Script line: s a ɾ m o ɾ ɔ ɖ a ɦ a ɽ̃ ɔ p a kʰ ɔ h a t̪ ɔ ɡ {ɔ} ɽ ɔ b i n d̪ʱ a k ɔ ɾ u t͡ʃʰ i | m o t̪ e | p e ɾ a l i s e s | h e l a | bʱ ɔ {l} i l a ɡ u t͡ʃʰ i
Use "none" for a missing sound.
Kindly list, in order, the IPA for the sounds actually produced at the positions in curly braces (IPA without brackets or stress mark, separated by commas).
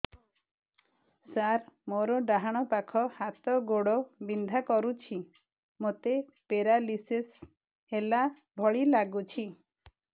o, ɭ